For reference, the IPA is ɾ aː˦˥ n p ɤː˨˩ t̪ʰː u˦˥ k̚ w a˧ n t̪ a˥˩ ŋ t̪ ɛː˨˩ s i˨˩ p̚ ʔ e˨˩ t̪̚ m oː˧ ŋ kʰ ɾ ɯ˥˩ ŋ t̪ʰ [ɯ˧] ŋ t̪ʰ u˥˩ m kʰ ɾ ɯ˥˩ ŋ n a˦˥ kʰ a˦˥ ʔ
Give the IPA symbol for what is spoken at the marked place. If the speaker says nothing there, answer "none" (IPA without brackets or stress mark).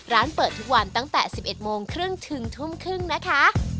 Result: ɯ˧